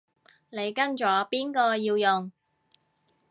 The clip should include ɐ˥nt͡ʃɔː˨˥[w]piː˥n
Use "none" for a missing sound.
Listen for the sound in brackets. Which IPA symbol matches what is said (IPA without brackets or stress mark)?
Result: none